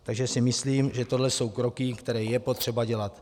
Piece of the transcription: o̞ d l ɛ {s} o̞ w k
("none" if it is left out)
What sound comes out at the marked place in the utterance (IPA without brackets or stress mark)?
s